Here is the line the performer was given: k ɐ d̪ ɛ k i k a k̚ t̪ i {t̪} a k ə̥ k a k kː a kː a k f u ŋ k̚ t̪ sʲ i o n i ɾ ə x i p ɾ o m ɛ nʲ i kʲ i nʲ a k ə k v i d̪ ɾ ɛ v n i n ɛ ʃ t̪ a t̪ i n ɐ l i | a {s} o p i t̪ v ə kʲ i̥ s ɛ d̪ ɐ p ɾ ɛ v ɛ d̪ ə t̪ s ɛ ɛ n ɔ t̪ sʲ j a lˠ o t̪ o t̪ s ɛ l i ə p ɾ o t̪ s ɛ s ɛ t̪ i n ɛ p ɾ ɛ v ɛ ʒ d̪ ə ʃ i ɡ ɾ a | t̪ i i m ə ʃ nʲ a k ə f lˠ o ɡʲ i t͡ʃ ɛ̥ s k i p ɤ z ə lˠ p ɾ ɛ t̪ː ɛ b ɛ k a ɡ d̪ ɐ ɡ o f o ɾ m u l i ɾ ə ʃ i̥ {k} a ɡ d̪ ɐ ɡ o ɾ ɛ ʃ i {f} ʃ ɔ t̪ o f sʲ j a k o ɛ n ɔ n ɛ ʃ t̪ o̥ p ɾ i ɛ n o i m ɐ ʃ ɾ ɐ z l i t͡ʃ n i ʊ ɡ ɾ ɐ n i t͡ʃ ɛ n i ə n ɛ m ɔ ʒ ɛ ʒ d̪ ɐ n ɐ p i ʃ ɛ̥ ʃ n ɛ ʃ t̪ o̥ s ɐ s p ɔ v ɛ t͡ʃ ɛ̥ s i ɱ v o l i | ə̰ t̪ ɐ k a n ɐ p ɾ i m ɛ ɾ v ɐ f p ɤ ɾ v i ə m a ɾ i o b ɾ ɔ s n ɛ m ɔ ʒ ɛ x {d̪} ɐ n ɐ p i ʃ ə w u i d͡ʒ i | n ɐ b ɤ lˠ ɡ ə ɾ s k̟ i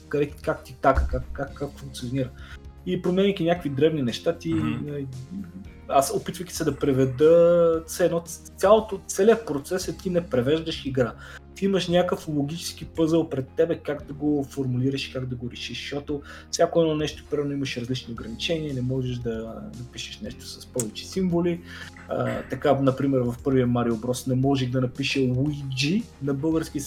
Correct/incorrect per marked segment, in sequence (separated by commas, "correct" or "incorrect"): correct, correct, correct, incorrect, correct